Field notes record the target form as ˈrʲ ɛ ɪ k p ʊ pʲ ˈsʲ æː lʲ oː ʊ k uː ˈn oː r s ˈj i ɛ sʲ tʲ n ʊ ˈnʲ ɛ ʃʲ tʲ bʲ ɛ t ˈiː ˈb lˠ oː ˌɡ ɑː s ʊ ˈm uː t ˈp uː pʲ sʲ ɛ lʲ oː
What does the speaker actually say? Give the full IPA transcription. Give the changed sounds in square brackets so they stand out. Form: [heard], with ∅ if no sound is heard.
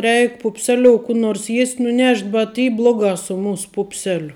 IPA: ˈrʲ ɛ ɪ k p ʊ pʲ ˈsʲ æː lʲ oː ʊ k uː ˈn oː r s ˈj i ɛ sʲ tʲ n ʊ ˈnʲ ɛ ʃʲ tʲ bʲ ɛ t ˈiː ˈb lˠ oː ˌɡ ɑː s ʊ ˈm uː [s] ˈp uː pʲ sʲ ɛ lʲ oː